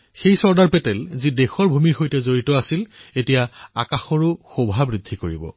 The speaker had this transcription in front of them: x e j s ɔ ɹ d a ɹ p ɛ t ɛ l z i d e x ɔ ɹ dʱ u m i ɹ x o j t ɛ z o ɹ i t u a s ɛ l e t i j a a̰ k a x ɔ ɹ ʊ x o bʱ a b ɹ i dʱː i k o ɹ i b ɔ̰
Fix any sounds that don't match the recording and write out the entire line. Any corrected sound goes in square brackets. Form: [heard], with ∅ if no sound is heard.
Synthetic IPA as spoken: x e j s ɔ ɹ d a ɹ p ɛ t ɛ l z i d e x ɔ ɹ [bʱ] u m i ɹ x o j t ɛ z o ɹ i t [ɔ] a s [i] l e t i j a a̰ k a x ɔ ɹ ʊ x o bʱ a b ɹ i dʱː i k o ɹ i b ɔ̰